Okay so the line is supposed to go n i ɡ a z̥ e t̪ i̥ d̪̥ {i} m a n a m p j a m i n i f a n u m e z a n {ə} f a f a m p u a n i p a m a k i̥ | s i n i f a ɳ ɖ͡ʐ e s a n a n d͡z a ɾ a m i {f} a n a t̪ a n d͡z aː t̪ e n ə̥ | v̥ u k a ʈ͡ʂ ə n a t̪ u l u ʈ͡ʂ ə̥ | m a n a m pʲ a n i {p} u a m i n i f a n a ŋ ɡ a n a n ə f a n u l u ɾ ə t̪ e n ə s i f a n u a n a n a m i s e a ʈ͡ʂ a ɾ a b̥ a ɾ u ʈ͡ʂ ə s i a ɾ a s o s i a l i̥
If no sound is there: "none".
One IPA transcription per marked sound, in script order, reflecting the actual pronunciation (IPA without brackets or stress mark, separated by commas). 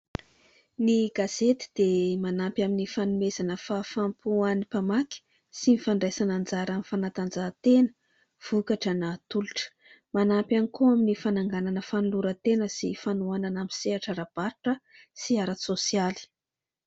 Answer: e, ə, f, k